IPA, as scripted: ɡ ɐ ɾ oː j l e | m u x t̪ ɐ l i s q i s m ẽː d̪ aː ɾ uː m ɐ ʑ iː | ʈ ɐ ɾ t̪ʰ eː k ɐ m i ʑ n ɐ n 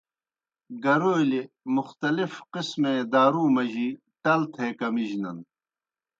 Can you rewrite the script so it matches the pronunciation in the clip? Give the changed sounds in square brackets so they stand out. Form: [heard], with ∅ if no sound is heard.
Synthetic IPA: ɡ ɐ ɾ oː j l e | m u x t̪ ɐ l i [f] q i s m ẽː d̪ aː ɾ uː m ɐ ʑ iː | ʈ ɐ [l] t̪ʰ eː k ɐ m i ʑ n ɐ n

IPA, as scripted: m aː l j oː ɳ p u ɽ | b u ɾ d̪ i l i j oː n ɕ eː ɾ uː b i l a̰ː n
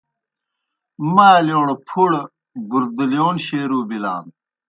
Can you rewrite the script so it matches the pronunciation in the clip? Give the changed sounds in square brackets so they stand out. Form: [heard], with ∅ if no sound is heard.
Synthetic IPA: m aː l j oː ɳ [pʰ] u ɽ | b u ɾ d̪ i l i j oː n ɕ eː ɾ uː b i l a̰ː n

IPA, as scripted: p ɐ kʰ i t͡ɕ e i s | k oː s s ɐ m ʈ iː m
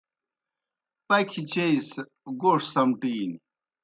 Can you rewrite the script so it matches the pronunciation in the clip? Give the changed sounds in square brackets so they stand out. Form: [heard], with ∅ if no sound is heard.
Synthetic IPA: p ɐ kʰ i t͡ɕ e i s | [ɡ] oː [ʂ] s ɐ m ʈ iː [n]

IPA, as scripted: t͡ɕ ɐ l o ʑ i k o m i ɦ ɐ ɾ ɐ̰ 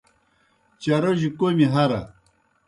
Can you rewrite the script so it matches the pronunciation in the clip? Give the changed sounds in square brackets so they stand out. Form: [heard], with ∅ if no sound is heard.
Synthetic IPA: t͡ɕ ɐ [ɾ] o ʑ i k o m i ɦ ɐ ɾ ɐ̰

